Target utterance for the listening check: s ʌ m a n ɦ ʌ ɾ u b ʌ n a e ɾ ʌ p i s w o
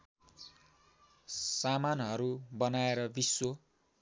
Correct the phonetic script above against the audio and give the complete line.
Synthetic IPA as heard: s a m a n ɦ ʌ ɾ u b ʌ n a e ɾ ʌ b i s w o